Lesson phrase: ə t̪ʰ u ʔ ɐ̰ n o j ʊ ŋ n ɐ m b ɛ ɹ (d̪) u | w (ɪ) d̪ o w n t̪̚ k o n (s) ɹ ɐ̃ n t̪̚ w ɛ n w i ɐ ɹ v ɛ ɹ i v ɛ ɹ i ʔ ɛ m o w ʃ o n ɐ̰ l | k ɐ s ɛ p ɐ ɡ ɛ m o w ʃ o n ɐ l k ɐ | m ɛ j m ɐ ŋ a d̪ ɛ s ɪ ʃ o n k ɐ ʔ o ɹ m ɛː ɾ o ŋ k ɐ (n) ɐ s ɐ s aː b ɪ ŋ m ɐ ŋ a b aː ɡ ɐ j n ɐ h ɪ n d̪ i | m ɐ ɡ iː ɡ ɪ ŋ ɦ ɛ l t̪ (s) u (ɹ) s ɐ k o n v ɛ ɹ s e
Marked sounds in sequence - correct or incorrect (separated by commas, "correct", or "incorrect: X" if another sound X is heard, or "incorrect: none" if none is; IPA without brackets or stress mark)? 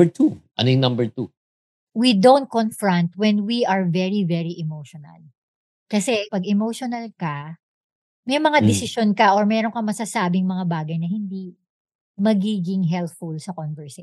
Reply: incorrect: t̪, incorrect: i, incorrect: f, incorrect: m, incorrect: f, incorrect: l